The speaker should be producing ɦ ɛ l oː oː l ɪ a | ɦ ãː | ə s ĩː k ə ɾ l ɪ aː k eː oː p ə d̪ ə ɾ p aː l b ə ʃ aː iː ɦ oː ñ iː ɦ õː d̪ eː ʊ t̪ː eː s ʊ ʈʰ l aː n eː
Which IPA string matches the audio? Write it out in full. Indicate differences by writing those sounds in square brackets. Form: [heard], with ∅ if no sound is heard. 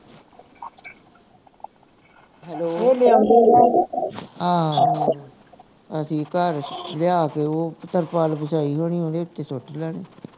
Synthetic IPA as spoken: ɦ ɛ l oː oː l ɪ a | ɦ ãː | ə s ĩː k ə ɾ l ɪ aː k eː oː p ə [t̪] ə ɾ p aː l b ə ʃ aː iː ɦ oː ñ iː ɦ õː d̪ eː ʊ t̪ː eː s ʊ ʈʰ l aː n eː